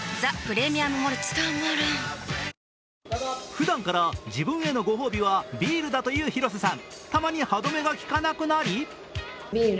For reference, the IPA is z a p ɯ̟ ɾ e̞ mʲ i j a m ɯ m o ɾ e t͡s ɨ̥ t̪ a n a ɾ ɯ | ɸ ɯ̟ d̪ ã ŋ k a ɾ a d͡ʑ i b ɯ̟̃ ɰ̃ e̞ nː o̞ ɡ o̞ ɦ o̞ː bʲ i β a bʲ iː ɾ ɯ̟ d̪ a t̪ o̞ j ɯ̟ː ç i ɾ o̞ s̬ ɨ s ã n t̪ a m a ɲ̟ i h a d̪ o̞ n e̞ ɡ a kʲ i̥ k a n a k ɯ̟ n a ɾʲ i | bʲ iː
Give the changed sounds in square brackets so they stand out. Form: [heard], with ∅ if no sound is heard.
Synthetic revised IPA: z a p ɯ̟ ɾ e̞ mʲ i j a m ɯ m o ɾ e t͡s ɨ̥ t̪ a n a ɾ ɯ | ɸ ɯ̟ d̪ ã ŋ k a ɾ a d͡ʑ i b ɯ̟̃ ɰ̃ e̞ [n] o̞ ɡ o̞ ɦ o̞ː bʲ i β a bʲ iː ɾ ɯ̟ d̪ a t̪ o̞ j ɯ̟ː ç i ɾ o̞ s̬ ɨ s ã n t̪ a m a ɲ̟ i h a d̪ o̞ [m] e̞ ɡ a kʲ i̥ k a n a k ɯ̟ n a ɾʲ i | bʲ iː